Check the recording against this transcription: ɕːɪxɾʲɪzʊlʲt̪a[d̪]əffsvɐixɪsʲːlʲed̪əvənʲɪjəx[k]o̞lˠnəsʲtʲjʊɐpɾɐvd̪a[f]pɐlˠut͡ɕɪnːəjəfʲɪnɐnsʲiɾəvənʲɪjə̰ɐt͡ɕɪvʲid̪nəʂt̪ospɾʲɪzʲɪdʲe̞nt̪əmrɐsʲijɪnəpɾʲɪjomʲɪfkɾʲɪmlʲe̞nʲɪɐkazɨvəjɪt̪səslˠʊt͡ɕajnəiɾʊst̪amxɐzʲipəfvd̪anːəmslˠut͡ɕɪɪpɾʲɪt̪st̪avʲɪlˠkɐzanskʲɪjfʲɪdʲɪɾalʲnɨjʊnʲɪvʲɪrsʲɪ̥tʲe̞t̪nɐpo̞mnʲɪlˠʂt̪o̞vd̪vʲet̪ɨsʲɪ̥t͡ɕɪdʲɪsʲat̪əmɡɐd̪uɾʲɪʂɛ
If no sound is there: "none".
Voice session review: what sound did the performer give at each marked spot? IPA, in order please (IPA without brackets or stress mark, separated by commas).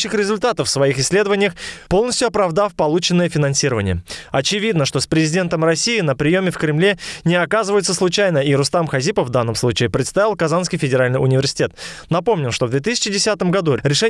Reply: t̪, p, f